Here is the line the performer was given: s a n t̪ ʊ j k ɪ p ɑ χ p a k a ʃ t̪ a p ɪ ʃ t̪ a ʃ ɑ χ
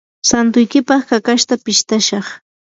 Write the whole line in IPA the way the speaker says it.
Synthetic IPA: s a n t̪ ʊ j k ɪ p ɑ χ k a k a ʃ t̪ a p ɪ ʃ t̪ a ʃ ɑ χ